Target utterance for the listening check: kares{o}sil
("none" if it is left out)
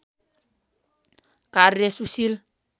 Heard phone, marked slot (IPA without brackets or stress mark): u